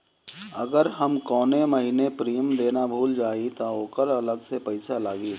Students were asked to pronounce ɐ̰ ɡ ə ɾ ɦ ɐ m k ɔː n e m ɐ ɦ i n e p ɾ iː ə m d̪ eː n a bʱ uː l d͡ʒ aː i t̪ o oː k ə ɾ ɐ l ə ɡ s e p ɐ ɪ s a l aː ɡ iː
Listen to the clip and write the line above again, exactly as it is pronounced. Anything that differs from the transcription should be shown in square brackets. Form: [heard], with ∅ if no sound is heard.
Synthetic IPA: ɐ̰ ɡ ə ɾ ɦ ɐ m k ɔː n e m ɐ ɦ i n e p ɾ iː ə m d̪ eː n a bʱ uː l d͡ʒ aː i t̪ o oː k ə ɾ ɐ l ə ɡ s e p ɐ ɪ s a l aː ɡ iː